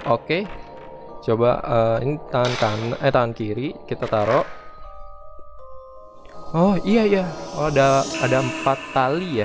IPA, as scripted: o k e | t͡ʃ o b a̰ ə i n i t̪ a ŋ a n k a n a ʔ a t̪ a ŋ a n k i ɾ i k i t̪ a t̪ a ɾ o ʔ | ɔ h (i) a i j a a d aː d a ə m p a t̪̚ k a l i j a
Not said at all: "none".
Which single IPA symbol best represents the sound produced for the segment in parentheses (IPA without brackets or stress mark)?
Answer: i